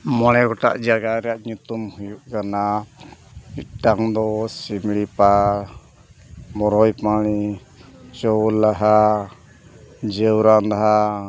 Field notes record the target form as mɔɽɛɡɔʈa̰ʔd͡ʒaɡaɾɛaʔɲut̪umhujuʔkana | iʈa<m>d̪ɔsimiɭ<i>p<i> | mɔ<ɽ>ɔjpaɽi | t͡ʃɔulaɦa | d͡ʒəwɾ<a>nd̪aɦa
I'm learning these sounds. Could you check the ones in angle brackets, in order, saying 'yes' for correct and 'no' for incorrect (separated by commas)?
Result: no, yes, no, no, yes